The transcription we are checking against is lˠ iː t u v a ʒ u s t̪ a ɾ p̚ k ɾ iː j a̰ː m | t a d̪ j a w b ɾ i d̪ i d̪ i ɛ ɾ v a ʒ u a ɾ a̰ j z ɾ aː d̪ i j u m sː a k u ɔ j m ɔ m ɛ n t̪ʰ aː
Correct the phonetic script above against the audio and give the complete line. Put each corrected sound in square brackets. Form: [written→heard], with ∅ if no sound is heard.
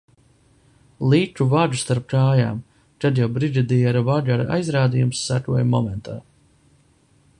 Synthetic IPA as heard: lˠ iː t u v a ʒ u s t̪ a ɾ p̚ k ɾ [iː→aː] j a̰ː m | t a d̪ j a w b ɾ i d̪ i d̪ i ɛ ɾ v a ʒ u a ɾ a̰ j z ɾ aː d̪ i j u m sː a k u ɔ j m ɔ m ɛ n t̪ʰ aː